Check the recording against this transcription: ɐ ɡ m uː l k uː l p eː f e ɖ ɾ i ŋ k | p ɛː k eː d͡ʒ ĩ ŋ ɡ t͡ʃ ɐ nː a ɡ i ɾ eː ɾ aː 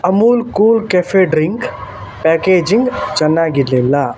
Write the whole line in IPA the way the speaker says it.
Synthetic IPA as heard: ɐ m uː l k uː l k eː f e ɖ ɾ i ŋ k | p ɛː k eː d͡ʒ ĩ ŋ ɡ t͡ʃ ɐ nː a ɡ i l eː l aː

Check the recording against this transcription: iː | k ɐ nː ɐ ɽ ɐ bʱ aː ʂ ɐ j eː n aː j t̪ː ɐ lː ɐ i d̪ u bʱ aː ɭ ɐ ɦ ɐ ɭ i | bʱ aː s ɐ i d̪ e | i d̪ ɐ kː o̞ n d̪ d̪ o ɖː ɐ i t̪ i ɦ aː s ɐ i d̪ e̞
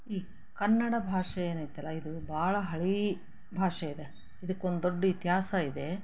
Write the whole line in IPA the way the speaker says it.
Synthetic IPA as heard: iː | k ɐ nː ɐ ɽ ɐ bʱ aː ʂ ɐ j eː n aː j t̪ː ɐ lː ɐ i d̪ u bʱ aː ɭ ɐ ɦ ɐ ɭ i | bʱ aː ʂ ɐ i d̪ e | i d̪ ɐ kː o̞ n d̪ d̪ o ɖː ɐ i t̪ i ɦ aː s ɐ i d̪ e̞

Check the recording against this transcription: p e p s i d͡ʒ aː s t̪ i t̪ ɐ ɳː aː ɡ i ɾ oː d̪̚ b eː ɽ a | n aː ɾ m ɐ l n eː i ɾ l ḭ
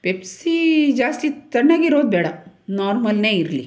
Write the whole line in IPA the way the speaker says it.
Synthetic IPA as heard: p e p s i d͡ʒ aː s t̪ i t̪ ɐ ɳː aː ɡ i ɾ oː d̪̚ b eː ɽ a | n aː ɾ m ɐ l n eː i ɾ l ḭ

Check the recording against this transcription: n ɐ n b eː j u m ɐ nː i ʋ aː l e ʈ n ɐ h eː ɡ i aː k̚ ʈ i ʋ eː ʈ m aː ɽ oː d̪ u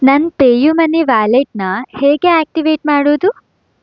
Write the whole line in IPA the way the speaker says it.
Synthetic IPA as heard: n ɐ n p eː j u m ɐ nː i ʋ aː l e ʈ n ɐ h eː ɡ e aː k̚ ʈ i ʋ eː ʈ m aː ɽ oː d̪ u

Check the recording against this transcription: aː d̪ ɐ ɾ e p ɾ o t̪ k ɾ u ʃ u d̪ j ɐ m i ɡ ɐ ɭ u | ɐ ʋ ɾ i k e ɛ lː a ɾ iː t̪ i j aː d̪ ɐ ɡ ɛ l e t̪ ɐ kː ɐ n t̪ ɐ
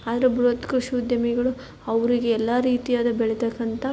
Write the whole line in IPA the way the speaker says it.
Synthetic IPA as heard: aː d̪ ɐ ɾ e b ɾ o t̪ k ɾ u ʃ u d̪ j ɐ m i ɡ ɐ ɭ u | ɐ ʋ ɾ i ɡ e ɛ lː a ɾ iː t̪ i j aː d̪ ɐ b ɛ ɭ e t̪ ɐ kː ɐ n t̪ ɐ

